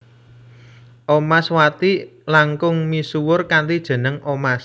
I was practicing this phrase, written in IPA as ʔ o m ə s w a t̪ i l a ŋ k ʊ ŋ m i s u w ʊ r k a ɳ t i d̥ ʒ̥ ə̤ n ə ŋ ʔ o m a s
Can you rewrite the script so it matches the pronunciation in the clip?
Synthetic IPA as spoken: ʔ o m a s w a t̪ i l a ŋ k ʊ ŋ m i s u w ʊ r k a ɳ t i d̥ ʒ̥ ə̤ n ə ŋ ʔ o m a s